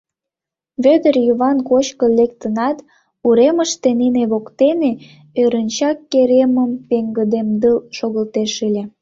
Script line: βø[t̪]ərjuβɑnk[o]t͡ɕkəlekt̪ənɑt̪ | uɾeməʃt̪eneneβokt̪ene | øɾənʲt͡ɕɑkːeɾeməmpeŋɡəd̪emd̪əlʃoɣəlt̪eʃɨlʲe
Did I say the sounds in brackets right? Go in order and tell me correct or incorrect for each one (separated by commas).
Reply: incorrect, correct